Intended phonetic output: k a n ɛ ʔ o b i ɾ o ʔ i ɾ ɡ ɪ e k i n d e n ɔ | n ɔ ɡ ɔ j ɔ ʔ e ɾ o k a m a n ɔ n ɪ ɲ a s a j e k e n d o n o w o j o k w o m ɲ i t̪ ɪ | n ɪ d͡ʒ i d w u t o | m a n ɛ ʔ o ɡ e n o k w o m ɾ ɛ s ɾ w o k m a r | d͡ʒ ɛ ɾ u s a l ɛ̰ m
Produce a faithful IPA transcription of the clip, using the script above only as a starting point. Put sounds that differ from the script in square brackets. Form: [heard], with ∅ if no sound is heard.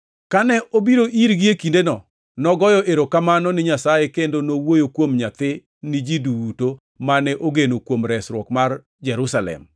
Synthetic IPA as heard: k a n ɛ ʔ o b i ɾ o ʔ i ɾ ɡ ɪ e k i n d e n ɔ | n ɔ ɡ ɔ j ɔ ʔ e ɾ o k a m a n ɔ n ɪ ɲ a s a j e k e n d o n o w o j o k w o m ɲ [a] t̪ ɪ | n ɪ d͡ʒ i d [u] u t o | m a n ɛ ʔ o ɡ e n o k w o m ɾ ɛ s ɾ w [ɔ] k m a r | d͡ʒ ɛ ɾ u s a l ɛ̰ m

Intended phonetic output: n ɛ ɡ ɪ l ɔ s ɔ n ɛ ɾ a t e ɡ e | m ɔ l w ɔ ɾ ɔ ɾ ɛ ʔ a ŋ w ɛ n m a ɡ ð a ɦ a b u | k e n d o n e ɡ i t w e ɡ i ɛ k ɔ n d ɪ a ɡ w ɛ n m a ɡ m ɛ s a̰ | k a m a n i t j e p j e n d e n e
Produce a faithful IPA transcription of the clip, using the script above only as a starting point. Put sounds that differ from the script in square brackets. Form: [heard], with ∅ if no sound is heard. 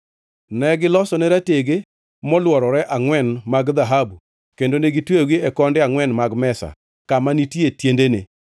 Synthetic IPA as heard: n ɛ ɡ ɪ l ɔ s ɔ n ɛ ɾ a t e ɡ e | m ɔ l w ɔ ɾ ɔ ɾ ɛ ʔ a ŋ w ɛ n m a ɡ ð a ɦ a b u | k e n d o n e ɡ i t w e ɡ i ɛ k ɔ n d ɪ a [ŋ] w ɛ n m a ɡ m ɛ s a̰ | k a m a n i t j e [t] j e n d e n e

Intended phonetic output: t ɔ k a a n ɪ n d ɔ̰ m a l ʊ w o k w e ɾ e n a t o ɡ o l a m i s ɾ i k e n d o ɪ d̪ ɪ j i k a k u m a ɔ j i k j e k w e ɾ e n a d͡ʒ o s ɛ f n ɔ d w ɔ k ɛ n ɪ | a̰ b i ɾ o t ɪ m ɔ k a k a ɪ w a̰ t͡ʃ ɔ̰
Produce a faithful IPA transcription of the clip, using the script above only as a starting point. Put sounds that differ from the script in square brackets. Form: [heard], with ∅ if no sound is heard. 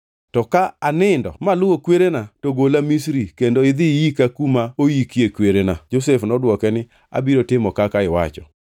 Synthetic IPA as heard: t ɔ k a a n ɪ n d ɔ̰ m a l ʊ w o k w e ɾ e n a t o ɡ o l a m i s ɾ i k e n d o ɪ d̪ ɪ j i k a k u m a [o] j i k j e k w e ɾ e n a d͡ʒ o s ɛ f n ɔ d w ɔ k ɛ n ɪ | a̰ b i ɾ o t ɪ m ɔ k a k a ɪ w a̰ t͡ʃ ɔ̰

